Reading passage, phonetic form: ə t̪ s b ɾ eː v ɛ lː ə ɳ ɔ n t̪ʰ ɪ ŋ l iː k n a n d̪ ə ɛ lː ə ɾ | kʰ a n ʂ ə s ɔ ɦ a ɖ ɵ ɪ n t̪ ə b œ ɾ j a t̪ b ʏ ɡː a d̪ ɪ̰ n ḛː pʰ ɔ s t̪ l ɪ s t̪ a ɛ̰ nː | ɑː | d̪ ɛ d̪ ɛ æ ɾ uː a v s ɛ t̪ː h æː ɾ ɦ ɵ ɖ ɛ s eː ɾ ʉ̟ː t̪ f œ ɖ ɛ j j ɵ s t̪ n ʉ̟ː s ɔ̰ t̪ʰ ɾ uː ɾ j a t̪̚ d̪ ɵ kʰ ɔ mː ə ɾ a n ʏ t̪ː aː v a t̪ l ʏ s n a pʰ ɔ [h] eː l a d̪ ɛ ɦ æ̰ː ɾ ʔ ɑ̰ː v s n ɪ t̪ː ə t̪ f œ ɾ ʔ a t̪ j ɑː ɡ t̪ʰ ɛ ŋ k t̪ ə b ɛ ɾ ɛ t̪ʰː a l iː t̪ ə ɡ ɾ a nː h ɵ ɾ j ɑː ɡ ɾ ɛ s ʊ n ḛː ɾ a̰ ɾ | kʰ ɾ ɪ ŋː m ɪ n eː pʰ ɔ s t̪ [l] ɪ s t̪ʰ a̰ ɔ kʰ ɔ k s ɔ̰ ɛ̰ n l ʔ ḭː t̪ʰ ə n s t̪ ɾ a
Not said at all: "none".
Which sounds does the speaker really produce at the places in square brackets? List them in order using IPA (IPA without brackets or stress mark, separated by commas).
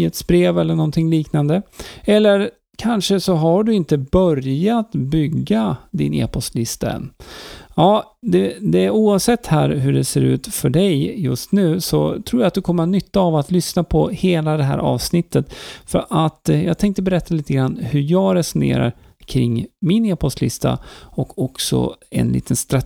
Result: h, l